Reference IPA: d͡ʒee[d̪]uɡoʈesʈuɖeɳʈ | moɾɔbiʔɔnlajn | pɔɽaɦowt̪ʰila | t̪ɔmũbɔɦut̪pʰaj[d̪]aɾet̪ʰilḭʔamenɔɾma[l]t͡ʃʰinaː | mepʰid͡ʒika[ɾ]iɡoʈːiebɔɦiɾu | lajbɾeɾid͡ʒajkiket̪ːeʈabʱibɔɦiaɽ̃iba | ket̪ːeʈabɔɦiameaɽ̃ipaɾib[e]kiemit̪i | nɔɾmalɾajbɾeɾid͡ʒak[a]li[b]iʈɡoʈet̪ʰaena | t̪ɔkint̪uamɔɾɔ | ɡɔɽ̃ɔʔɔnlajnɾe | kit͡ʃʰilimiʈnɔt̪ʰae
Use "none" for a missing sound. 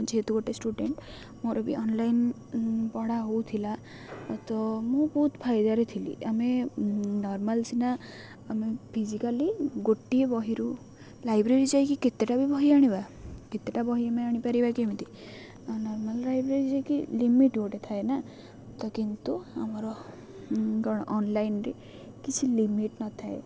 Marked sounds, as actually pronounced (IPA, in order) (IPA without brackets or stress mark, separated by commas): t̪, d̪, l, l, a, i, m